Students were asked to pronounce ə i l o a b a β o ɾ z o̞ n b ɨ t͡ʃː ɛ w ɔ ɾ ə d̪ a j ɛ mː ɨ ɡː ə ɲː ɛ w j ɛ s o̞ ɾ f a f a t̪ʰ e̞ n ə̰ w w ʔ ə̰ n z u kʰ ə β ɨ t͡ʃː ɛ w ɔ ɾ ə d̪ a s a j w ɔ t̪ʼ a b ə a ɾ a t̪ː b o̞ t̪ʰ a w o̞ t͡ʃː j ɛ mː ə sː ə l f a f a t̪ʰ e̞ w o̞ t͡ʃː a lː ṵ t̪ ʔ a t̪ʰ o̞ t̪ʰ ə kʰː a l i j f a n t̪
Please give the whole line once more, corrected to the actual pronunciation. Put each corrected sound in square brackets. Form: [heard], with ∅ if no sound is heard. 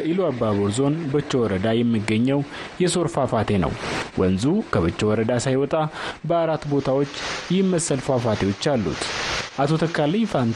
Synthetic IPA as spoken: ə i l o a b a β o ɾ z o̞ n b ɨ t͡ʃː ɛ w ɔ ɾ ə d̪ a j ɛ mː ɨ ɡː ə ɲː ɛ w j ɛ s o̞ ɾ f a f a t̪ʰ e̞ n ə̰ w w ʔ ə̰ n z u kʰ ə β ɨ t͡ʃː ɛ w ɔ ɾ ə d̪ a s a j w ɔ t̪ʼ a b ə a ɾ a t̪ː b o̞ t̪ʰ a w o̞ t͡ʃː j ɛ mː ə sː ə l f a f a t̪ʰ e̞ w o̞ t͡ʃː a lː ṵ t̪ ʔ a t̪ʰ o̞ t̪ʰ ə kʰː a l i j f a n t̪